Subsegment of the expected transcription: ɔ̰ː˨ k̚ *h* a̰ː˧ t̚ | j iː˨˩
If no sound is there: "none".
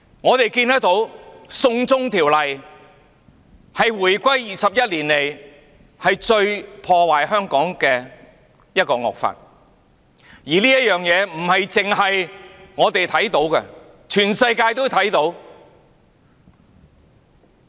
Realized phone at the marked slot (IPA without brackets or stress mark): f